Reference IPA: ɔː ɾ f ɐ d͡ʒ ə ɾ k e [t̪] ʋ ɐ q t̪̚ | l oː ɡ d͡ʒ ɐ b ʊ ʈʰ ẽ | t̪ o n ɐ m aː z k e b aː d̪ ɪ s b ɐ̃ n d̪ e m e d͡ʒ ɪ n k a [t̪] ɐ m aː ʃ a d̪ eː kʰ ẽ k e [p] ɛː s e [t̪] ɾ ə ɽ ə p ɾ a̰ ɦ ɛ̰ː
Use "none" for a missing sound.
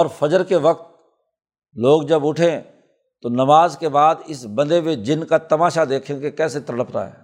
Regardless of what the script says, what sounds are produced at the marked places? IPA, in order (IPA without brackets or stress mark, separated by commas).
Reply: none, t̪, k, t̪